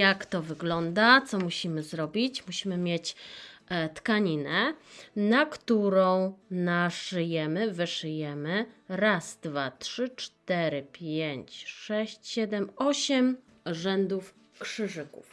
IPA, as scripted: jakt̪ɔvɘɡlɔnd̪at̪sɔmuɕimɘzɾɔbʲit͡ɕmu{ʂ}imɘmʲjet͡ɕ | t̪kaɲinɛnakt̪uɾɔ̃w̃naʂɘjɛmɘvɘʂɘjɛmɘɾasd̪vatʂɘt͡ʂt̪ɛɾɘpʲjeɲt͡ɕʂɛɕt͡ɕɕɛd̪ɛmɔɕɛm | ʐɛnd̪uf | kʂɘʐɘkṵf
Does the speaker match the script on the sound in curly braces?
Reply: no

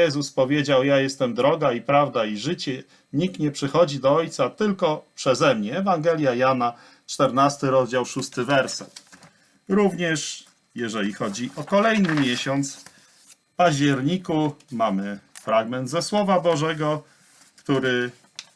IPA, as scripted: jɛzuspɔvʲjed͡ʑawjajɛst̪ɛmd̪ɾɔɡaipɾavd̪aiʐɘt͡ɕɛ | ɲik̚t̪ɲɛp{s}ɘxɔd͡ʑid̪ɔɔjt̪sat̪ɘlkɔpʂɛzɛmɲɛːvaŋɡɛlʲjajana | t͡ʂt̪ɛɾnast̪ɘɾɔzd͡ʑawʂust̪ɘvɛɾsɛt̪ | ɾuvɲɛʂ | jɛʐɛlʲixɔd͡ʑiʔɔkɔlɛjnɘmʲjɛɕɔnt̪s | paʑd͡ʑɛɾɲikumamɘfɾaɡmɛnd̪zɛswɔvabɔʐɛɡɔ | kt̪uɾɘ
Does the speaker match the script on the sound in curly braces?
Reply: no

